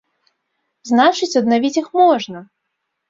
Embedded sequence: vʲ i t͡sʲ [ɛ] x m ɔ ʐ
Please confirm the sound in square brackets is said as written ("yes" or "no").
no